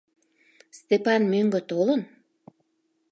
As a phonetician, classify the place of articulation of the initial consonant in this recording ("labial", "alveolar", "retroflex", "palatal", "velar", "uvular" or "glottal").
alveolar